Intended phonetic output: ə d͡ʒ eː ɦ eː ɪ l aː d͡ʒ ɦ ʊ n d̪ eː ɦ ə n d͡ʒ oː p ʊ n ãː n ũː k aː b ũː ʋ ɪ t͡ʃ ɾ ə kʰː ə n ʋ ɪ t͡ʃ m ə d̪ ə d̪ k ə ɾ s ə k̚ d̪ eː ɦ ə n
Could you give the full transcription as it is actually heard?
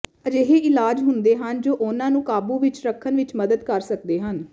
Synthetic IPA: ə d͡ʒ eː ɦ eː ɪ l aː d͡ʒ ɦ ʊ n d̪ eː ɦ ə n d͡ʒ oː ʔ ʊ n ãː n ũː k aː b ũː ʋ ɪ t͡ʃ ɾ ə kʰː ə n ʋ ɪ t͡ʃ m ə d̪ ə d̪ k ə ɾ s ə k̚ d̪ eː ɦ ə n